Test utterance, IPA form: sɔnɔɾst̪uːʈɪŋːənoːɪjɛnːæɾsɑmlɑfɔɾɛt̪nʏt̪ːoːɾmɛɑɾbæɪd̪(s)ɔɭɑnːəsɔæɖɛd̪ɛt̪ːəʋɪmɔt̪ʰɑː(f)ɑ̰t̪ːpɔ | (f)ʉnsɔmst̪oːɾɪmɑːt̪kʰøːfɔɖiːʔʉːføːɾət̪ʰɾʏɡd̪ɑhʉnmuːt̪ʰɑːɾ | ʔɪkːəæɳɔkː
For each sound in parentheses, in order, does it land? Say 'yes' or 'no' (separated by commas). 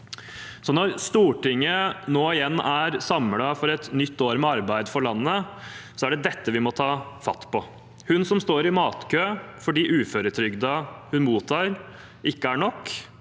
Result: no, yes, no